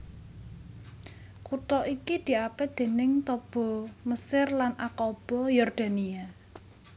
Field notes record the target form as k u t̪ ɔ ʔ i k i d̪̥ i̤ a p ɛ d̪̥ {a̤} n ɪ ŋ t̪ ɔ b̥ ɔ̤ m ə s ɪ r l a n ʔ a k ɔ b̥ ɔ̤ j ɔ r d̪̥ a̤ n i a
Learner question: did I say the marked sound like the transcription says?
no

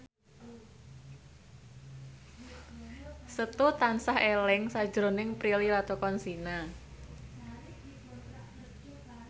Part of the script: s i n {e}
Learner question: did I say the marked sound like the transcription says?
no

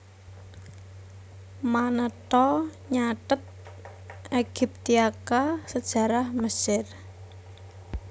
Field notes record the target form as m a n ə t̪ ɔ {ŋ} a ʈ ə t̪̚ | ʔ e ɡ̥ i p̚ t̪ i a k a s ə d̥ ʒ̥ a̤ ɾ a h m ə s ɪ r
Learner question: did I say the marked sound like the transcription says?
no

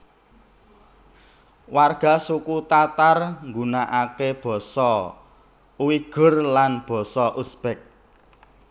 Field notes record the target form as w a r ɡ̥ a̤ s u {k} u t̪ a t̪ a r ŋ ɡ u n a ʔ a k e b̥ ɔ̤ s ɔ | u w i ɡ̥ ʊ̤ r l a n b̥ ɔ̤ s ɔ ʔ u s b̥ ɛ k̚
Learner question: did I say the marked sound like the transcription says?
yes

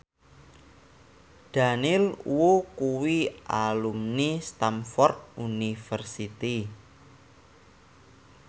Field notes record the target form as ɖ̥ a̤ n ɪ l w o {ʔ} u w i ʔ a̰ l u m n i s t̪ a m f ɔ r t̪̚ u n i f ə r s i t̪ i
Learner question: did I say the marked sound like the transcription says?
no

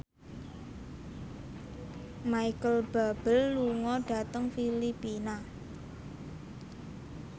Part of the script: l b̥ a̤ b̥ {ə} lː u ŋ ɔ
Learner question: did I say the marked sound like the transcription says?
yes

